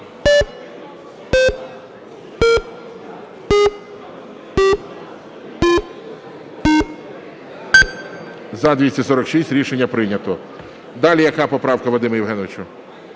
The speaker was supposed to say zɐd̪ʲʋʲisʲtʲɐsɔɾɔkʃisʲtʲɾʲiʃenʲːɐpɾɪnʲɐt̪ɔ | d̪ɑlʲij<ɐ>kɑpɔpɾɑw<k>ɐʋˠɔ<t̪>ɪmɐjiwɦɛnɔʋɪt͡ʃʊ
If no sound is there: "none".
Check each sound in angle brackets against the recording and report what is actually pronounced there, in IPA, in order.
ɐ, k, d̪

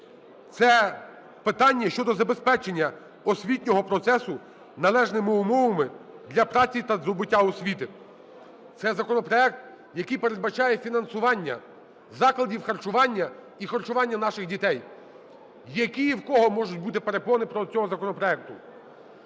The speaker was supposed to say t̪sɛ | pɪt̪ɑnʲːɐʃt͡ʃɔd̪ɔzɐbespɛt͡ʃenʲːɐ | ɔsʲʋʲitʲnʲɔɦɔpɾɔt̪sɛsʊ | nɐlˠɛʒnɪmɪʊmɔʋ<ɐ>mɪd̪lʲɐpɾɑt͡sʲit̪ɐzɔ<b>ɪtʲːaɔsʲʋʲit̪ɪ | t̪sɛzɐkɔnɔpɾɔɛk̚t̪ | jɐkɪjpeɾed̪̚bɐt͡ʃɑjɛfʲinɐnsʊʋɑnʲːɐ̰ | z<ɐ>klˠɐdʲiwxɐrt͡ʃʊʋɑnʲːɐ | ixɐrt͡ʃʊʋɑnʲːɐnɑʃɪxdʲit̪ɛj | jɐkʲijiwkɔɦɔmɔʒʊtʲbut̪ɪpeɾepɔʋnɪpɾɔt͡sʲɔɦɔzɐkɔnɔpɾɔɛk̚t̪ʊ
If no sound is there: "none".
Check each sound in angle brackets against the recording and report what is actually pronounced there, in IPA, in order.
ɐ, b, ɑ

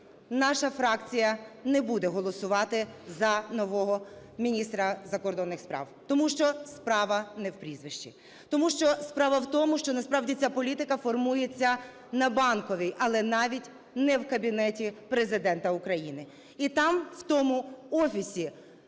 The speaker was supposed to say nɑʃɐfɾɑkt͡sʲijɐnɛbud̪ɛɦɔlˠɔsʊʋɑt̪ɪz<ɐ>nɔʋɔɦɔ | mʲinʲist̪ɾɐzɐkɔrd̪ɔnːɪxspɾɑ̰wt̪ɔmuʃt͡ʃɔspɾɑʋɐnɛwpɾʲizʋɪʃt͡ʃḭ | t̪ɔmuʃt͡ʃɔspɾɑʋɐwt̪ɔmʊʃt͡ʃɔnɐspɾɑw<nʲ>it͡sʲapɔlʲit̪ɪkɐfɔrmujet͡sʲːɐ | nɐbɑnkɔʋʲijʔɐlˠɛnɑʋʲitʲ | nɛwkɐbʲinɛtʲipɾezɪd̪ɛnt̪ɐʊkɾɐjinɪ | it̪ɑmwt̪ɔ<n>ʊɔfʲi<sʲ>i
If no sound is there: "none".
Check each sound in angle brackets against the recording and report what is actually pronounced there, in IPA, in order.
ɐ, dʲ, m, sʲ

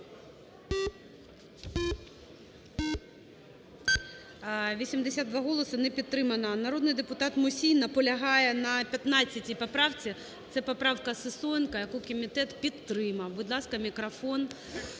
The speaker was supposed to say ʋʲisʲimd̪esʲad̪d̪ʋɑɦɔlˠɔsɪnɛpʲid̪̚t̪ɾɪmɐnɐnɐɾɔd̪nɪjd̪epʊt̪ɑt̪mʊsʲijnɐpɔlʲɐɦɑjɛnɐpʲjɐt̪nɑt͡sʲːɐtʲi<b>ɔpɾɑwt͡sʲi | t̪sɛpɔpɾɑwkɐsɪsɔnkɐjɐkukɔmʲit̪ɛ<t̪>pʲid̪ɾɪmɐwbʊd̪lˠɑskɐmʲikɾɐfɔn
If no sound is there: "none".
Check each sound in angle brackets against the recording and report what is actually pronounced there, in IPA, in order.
p, t̪

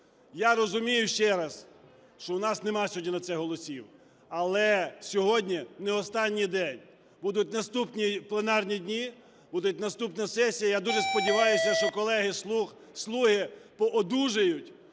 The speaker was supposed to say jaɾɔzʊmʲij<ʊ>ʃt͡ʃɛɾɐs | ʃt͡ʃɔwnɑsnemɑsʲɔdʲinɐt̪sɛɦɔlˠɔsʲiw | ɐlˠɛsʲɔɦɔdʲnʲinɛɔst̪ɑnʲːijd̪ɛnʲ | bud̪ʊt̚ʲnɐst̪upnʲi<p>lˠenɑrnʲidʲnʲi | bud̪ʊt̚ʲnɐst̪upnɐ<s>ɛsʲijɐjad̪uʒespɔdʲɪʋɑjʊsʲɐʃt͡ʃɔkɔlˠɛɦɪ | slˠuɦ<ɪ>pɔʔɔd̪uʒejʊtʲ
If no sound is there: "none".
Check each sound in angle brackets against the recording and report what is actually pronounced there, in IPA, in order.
ʊ, p, s, ɪ

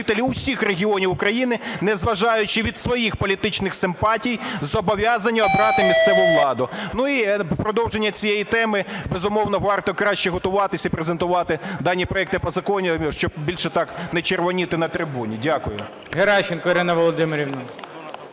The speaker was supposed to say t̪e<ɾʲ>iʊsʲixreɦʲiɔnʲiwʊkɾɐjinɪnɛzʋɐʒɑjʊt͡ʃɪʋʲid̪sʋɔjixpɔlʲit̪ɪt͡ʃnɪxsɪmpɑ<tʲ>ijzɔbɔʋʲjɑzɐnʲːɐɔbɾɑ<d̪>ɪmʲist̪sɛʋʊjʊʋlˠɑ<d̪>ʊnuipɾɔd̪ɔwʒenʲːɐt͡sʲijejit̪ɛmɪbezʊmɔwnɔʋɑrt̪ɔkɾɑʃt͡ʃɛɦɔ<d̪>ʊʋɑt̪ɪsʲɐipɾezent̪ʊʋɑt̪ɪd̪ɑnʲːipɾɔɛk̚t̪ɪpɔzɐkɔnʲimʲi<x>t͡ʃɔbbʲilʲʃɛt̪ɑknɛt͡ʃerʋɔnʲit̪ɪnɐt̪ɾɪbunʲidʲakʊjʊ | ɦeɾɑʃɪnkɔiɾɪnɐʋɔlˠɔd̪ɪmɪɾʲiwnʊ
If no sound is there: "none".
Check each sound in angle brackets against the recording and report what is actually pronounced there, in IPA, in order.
lʲ, tʲ, t̪, d̪, t̪, ʃ

